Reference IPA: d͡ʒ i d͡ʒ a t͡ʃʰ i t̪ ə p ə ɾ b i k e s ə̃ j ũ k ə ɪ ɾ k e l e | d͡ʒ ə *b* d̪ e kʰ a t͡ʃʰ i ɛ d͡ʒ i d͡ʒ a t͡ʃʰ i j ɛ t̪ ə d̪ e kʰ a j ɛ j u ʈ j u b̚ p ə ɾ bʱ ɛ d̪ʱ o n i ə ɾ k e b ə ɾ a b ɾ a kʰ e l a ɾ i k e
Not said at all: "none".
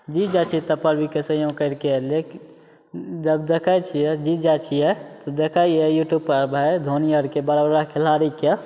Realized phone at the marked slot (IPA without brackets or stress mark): b